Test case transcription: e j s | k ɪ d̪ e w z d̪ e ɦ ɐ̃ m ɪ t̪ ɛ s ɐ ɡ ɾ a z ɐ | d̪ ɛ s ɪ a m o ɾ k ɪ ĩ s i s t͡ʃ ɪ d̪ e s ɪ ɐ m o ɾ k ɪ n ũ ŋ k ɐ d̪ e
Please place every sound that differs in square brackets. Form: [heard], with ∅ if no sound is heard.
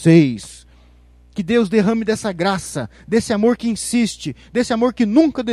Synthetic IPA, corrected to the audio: e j s | k ɪ d̪ e w z d̪ e ɦ ɐ̃ m ɪ [d̪] ɛ s ɐ ɡ ɾ a [s] ɐ | d̪ [e] s ɪ a m o ɾ k ɪ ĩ s i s t͡ʃ ɪ d̪ e s ɪ [a] m o ɾ k ɪ n ũ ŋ k ɐ d̪ e